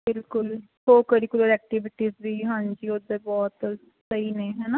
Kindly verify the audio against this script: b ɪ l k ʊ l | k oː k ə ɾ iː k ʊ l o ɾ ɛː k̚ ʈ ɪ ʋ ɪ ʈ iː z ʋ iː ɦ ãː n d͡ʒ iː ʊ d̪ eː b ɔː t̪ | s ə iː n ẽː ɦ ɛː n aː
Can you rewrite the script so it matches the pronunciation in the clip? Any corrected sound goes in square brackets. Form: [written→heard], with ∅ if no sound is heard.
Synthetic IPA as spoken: b ɪ l k ʊ l | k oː k ə ɾ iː k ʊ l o ɾ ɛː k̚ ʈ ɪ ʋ ɪ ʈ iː z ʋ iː ɦ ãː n d͡ʒ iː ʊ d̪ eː b ɔː t̪ | s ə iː n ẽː ɦ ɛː n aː